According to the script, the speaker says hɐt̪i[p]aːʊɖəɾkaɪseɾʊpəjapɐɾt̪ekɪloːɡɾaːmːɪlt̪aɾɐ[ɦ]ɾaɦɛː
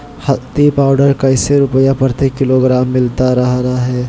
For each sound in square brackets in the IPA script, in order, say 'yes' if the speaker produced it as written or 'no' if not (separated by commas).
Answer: yes, yes